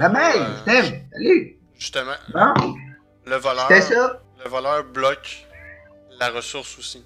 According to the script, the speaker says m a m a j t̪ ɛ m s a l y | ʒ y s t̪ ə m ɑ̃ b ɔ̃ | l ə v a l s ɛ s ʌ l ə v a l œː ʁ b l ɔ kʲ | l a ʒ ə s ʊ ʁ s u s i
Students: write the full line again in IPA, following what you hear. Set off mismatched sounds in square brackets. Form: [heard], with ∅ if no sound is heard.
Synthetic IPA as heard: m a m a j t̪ ɛ m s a l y | ʒ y s t̪ ə m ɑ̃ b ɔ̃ | l ə v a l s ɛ s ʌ l ə v a l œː ʁ b l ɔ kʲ | l a [ʁ] ə s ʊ ʁ s u s i